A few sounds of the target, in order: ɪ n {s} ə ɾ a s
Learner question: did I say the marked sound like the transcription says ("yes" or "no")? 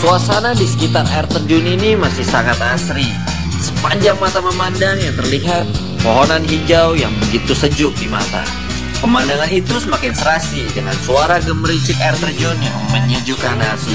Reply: yes